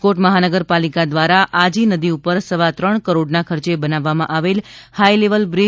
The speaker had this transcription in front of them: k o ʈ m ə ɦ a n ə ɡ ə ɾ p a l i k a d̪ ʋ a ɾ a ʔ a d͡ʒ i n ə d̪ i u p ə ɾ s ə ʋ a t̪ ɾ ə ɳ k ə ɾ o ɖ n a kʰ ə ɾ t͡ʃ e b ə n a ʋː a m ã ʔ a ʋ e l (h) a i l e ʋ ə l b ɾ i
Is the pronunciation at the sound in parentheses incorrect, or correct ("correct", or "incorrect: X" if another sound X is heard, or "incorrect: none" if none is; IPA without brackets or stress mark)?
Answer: correct